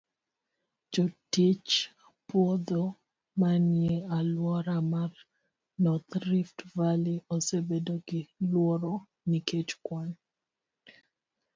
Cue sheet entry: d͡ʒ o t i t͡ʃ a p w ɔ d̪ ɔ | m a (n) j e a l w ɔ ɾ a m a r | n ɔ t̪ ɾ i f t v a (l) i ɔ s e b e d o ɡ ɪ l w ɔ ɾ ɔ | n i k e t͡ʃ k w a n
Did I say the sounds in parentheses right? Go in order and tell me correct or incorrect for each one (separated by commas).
correct, correct